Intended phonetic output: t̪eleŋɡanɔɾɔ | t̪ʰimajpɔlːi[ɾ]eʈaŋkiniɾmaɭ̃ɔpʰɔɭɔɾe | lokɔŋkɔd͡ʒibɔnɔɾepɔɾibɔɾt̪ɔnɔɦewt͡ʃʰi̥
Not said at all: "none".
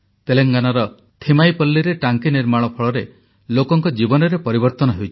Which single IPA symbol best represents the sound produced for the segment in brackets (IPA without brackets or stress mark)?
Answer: ɾ